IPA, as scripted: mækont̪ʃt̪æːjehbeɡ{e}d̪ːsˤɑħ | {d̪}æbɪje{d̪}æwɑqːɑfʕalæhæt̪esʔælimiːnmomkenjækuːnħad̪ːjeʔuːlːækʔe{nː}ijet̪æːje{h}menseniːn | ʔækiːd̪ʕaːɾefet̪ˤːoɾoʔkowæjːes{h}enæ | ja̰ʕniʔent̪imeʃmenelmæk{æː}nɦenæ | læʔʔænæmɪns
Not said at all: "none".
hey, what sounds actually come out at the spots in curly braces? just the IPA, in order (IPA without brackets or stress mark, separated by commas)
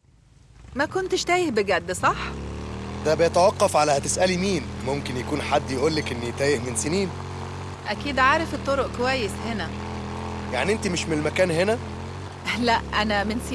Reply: æ, d̪, t̪, nː, h, h, æː